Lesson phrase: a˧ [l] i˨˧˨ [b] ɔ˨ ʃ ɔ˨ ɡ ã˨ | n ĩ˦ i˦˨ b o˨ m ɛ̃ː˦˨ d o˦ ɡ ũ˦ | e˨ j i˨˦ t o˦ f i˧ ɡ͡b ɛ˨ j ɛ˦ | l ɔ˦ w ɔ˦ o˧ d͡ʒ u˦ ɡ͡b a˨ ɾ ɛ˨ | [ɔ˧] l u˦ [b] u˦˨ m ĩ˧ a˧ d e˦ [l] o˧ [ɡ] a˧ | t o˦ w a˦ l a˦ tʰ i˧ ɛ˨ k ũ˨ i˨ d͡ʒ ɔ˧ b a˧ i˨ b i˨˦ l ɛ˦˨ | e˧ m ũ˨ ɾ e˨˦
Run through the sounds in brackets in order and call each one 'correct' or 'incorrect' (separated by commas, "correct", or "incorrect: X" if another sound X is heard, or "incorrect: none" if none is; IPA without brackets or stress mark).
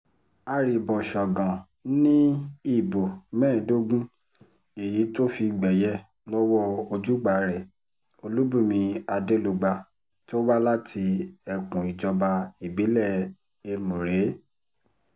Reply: incorrect: ɾ, correct, incorrect: o˧, correct, correct, incorrect: ɡ͡b